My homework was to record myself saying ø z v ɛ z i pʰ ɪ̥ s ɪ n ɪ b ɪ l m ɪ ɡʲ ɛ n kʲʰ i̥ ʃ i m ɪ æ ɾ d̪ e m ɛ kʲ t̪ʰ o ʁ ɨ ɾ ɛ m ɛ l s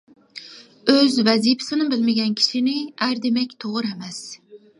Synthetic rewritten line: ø z v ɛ z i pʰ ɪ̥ s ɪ n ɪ b ɪ l m ɪ ɡʲ ɛ n kʲʰ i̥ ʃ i n ɪ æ ɾ d̪ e m ɛ kʲ t̪ʰ o ʁ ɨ ɾ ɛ m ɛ s